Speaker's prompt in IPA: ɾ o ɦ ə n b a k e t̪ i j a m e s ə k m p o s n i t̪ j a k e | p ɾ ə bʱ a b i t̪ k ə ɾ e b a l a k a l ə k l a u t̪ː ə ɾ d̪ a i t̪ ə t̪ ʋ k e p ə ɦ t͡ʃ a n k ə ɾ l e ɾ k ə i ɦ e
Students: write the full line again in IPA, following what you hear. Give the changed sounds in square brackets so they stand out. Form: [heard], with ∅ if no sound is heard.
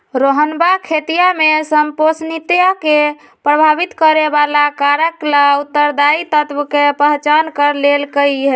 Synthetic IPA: ɾ o ɦ ə n b a [kʰ] e t̪ i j a m e s ə [∅] m p o s n i t̪ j a k e | p ɾ ə bʱ a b i t̪ k ə ɾ e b a l a k a [ɾ] ə k l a u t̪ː ə ɾ d̪ a i t̪ ə t̪ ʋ k e p ə ɦ t͡ʃ a n k ə ɾ l e [l] k ə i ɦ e